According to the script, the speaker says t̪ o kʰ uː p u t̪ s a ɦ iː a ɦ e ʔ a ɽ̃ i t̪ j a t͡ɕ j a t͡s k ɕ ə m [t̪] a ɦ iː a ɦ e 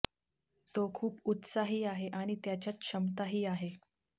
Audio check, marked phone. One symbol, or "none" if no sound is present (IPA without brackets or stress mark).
t̪